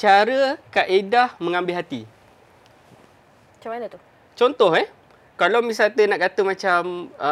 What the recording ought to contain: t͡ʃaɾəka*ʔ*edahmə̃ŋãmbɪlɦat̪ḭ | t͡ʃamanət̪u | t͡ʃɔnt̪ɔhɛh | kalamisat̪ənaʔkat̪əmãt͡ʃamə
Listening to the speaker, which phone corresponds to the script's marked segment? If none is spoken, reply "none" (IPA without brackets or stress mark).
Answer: ʔ